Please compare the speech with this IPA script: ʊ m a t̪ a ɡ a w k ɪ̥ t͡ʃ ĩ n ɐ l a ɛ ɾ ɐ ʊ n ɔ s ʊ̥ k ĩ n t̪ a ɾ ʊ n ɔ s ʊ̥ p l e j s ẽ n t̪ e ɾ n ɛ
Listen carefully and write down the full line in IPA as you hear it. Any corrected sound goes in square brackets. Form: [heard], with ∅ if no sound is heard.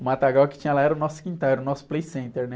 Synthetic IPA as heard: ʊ m a t̪ a ɡ a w k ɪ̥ t͡ʃ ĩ [ɲ] ɐ l a ɛ ɾ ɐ ʊ n ɔ s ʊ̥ k ĩ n t̪ a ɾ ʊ n ɔ s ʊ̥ p l e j s ẽ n t̪ e ɾ n ɛ